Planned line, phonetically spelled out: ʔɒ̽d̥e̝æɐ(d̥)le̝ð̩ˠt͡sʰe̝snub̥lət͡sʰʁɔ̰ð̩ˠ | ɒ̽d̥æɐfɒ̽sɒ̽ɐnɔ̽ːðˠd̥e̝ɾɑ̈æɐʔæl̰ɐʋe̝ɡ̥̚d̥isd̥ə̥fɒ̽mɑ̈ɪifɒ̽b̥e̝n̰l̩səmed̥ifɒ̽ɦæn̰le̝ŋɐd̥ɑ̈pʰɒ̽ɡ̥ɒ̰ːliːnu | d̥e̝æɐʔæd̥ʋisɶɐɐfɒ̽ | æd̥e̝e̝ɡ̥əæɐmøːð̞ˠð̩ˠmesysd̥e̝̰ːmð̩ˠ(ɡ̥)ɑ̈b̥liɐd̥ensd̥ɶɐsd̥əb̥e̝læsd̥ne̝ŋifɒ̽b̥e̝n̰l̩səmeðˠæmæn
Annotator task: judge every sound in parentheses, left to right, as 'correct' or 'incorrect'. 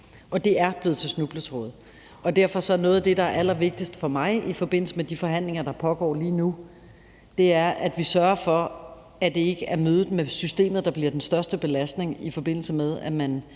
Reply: incorrect: b̥, incorrect: d̥

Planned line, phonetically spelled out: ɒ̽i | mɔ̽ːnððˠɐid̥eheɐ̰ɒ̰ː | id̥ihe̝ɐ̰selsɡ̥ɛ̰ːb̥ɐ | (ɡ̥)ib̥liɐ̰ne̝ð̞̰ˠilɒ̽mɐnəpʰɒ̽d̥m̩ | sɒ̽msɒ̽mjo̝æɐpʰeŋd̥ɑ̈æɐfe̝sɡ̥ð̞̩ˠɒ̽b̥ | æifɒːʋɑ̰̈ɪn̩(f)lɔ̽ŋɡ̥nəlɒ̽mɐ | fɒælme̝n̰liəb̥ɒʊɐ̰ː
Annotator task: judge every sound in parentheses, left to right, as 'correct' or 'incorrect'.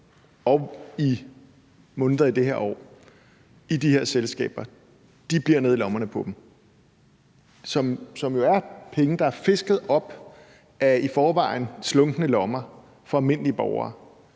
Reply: incorrect: d̥, incorrect: s

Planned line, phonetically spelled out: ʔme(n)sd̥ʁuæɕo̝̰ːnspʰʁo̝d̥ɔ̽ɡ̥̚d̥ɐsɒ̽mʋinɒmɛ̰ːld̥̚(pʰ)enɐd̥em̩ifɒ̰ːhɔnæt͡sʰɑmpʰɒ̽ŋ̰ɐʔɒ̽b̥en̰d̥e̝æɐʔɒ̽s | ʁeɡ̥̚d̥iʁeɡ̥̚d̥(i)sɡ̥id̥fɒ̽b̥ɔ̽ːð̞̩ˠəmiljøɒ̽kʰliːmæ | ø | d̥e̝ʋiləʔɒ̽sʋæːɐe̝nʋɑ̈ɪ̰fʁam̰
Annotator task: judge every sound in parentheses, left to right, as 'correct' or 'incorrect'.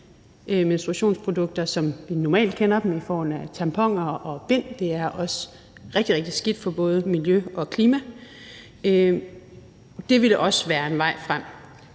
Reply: correct, incorrect: kʰ, correct

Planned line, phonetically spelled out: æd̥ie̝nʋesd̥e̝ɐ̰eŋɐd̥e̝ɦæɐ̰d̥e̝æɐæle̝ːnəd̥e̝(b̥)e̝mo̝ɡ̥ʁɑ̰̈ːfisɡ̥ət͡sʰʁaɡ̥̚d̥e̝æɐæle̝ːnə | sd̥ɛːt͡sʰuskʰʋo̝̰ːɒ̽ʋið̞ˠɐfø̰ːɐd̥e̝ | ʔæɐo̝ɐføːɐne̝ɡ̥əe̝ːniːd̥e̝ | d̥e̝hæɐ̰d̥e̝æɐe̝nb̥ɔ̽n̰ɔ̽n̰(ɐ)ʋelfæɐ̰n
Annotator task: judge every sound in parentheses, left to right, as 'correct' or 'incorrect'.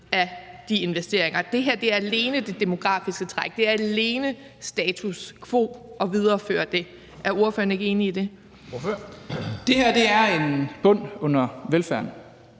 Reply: incorrect: d̥, correct

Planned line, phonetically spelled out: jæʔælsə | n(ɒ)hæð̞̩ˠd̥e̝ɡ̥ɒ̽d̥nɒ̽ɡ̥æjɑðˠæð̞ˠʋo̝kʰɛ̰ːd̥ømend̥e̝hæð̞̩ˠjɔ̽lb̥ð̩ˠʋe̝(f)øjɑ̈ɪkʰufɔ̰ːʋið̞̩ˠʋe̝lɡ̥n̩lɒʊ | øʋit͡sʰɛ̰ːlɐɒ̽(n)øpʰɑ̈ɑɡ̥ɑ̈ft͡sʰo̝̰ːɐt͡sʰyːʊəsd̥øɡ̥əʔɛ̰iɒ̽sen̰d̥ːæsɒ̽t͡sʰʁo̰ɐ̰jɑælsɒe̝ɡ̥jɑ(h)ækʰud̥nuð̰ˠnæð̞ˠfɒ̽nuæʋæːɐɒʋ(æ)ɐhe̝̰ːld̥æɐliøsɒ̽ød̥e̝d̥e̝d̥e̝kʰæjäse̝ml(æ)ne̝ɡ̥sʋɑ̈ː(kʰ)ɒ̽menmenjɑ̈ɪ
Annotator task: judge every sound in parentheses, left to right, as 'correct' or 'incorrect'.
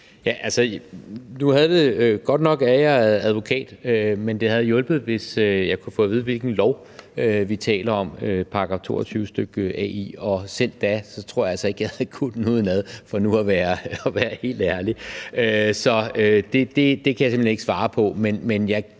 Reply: incorrect: u, incorrect: s, incorrect: m, correct, incorrect: æː, incorrect: e, incorrect: pʰ

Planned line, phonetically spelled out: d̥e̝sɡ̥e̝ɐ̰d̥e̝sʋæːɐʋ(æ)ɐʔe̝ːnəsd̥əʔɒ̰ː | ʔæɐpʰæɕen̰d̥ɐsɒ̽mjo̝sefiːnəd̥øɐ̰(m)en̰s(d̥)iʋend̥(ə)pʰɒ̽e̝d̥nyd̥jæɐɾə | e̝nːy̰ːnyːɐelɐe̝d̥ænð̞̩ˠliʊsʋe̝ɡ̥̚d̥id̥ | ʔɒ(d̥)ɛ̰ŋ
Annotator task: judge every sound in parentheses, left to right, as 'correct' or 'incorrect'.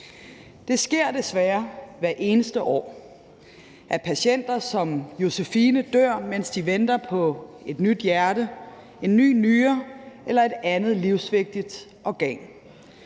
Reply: correct, correct, correct, incorrect: ɐ, incorrect: ɡ̥

